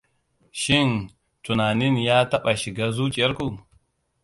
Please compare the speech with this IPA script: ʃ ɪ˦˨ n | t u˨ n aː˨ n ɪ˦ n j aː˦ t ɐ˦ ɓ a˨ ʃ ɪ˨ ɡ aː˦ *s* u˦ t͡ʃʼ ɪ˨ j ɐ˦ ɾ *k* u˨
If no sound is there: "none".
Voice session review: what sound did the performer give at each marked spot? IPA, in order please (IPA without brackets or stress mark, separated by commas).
z, k